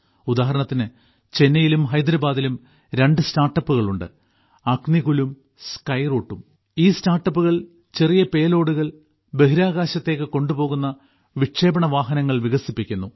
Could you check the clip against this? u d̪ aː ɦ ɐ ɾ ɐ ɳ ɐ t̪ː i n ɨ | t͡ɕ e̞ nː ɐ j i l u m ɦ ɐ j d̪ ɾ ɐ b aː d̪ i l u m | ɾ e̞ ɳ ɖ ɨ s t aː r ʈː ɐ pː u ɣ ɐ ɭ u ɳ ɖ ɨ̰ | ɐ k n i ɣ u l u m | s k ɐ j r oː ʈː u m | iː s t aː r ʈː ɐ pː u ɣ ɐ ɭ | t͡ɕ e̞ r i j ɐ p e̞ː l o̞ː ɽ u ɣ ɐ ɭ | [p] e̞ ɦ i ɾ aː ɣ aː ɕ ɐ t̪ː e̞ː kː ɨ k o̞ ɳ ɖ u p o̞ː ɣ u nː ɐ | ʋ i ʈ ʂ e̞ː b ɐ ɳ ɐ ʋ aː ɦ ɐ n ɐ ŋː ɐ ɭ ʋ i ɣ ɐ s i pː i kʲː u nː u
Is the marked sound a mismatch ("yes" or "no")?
yes